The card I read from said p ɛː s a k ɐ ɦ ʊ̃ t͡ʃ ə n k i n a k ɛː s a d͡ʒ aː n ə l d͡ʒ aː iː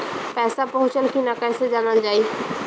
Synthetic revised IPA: p ɛː s a p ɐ ɦ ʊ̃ t͡ʃ ə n k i n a k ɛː s e d͡ʒ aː n ə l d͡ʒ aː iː